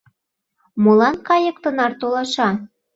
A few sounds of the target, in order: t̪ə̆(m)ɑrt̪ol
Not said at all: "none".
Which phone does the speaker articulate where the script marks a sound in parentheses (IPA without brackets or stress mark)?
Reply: n